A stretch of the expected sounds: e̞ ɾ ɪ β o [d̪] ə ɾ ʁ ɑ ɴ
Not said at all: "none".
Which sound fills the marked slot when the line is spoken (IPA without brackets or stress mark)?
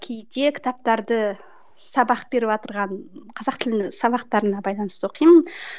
t̪